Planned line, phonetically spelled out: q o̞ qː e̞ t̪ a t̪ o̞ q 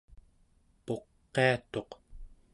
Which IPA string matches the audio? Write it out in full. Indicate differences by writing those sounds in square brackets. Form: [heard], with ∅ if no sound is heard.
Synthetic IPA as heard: [p] o̞ qː e̞ [∅] a t̪ o̞ q